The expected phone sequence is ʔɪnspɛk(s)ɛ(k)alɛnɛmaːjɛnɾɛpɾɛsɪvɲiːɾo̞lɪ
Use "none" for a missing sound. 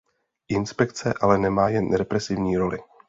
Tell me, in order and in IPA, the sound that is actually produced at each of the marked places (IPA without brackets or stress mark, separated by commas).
t͡s, ʔ